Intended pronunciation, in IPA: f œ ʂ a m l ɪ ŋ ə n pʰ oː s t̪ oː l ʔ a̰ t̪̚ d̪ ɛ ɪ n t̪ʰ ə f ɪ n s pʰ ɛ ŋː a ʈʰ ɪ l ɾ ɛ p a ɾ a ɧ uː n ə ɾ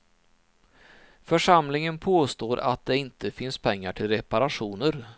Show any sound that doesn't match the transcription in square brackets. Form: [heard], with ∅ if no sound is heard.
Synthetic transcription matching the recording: f œ ʂ a m l ɪ ŋ ə n pʰ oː s t̪ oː [ɾ] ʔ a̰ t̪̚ d̪ ɛ ɪ n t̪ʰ ə f ɪ n s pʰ ɛ ŋː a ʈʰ ɪ l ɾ ɛ p a ɾ a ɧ uː n ə ɾ